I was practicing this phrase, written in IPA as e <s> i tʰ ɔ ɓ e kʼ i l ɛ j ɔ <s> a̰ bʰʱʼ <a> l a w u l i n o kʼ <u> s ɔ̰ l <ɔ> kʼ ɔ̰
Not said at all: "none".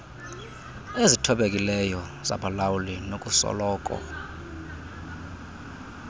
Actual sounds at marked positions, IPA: z, z, a, u, ɔː

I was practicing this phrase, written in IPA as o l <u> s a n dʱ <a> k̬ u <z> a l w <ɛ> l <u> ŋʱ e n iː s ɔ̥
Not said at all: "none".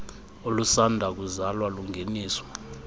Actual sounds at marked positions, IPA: u, a, z, a, u

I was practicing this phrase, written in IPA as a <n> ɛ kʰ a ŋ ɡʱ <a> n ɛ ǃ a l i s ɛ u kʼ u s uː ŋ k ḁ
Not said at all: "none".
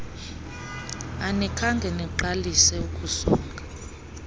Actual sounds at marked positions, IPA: n, ɛ

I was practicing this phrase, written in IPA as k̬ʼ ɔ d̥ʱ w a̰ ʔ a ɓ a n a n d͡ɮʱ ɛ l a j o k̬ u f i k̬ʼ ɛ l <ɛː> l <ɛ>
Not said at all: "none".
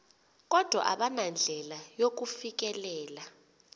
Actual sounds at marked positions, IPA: ɛː, a

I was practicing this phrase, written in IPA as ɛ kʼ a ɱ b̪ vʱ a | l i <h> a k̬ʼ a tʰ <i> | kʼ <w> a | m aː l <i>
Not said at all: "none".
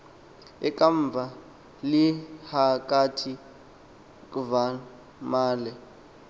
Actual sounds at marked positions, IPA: h, i, v, ɛ

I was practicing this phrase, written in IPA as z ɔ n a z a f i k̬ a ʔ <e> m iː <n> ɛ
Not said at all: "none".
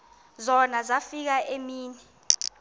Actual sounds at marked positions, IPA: e, n

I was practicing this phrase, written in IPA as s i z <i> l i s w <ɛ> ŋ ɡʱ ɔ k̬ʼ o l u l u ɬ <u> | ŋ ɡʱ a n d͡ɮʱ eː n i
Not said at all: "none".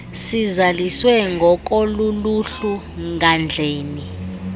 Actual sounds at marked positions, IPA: a, ɛ, u

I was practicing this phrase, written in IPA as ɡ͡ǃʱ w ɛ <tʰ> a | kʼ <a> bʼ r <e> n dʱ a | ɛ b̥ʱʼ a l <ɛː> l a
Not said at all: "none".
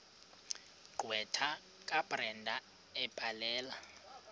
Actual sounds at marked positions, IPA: tʰ, a, ɛ, ɛː

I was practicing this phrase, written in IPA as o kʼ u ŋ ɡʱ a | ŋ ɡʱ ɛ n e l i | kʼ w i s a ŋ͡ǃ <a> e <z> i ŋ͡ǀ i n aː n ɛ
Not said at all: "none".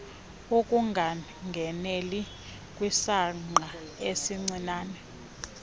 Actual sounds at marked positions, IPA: a, s

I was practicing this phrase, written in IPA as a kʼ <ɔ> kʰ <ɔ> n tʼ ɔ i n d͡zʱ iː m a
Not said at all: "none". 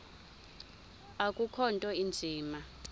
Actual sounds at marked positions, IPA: u, ɔ

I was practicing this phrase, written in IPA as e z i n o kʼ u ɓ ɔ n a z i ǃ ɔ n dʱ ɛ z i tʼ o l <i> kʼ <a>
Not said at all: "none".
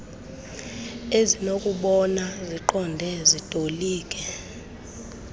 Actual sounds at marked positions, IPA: iː, ɛ

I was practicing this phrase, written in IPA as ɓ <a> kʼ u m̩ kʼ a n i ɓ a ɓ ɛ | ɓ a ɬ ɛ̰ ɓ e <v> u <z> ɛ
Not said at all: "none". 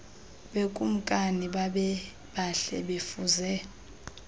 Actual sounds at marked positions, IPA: e, f, z

